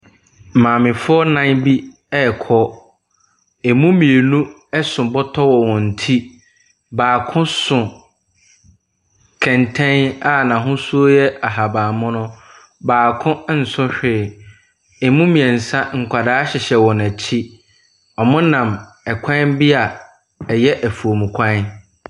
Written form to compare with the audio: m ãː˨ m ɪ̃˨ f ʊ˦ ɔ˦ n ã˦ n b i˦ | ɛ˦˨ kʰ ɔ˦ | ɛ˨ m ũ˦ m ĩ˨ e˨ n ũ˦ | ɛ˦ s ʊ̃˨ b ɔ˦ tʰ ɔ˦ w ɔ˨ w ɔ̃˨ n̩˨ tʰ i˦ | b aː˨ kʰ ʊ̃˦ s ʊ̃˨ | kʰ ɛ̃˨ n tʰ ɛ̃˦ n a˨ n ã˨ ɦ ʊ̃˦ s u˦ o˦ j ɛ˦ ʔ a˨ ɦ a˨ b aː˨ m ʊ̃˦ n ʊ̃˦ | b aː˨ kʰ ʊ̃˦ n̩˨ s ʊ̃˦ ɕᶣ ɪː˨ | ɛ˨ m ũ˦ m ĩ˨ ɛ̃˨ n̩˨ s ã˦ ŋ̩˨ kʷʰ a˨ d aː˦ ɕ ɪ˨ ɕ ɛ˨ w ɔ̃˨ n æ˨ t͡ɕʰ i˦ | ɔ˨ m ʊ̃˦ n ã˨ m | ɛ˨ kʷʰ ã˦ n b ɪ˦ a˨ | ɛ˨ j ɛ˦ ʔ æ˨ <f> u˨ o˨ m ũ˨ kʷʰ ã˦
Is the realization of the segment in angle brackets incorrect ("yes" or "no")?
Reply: no